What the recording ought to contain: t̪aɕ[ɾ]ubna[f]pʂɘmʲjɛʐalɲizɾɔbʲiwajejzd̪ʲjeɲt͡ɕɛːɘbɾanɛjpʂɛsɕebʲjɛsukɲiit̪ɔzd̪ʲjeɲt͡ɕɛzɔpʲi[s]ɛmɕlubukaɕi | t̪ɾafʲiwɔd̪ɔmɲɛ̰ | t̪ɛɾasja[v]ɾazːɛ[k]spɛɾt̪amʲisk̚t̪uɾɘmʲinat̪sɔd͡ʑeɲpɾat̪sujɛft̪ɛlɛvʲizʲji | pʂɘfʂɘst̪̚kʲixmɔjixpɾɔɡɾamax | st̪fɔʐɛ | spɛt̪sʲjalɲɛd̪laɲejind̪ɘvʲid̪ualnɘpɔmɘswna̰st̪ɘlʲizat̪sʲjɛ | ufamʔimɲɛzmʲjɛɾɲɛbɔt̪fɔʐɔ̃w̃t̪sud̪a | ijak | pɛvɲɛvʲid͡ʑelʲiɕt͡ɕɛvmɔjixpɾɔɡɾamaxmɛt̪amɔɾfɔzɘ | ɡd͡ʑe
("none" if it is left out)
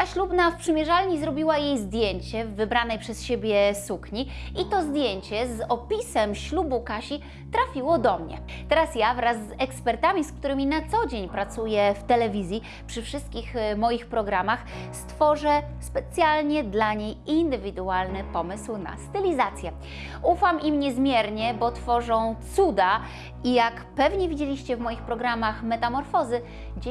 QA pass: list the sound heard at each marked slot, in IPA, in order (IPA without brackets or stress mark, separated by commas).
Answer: l, f, s, v, k